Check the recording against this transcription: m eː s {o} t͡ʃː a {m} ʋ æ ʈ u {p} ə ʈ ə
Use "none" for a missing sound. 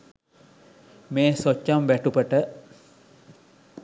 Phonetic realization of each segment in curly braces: o, m, p

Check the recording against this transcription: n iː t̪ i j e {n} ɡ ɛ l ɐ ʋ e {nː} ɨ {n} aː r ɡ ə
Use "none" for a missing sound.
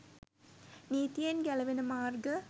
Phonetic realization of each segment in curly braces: n, n, m

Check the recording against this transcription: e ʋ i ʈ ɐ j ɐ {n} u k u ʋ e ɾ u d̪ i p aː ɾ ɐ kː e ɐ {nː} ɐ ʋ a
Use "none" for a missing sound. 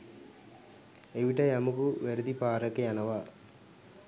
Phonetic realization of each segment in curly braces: m, n

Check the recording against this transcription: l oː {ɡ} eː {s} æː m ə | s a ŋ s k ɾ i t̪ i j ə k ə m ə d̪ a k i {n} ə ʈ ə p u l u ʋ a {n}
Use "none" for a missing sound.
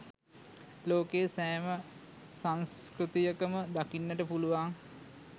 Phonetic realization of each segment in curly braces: k, s, nː, ŋ

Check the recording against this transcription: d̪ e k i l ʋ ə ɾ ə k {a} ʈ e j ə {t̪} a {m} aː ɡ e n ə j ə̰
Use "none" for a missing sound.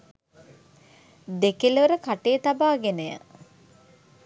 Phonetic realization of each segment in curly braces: a, t̪, b

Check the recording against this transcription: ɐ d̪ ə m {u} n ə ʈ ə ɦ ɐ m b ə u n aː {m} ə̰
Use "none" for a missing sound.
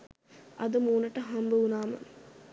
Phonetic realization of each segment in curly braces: uː, m

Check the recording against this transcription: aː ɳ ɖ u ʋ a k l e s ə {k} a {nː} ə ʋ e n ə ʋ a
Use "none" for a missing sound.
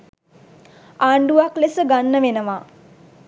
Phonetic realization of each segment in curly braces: ɡ, nː

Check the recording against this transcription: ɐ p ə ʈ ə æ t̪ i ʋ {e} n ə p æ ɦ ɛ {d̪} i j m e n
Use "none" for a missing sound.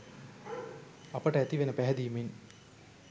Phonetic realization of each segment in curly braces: e, d̪

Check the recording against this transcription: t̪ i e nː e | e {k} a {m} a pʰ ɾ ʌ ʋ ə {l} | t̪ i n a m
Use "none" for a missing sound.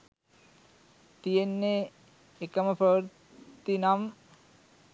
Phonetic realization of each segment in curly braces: k, m, ɾ

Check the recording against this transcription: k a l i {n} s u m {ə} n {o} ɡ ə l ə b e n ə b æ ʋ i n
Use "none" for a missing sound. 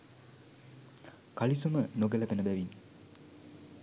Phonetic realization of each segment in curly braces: none, ə, o

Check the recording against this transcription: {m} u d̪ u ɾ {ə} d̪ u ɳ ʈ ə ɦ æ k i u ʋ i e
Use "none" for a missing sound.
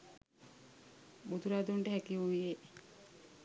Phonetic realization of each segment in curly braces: b, a

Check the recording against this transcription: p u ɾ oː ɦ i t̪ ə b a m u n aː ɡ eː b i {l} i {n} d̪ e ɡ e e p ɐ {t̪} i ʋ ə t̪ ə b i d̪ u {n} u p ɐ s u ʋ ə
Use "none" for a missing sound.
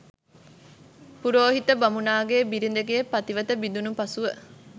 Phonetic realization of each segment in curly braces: ɾ, n, t̪, n

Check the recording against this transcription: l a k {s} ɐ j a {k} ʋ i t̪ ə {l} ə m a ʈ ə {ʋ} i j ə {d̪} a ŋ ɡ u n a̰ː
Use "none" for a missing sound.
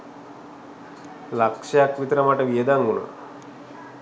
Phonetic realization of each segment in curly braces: ʂ, k, ɾ, ʋ, d̪

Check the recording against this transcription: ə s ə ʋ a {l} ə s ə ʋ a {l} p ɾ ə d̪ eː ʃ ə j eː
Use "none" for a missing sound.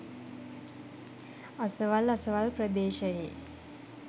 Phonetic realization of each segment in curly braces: l, l

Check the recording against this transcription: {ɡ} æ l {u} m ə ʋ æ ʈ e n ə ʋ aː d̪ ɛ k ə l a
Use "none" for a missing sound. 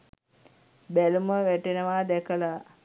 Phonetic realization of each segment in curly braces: b, u

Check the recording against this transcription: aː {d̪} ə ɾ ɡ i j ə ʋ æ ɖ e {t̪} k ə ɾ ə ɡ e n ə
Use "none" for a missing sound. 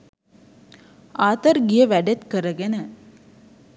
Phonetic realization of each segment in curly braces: t̪, t̪

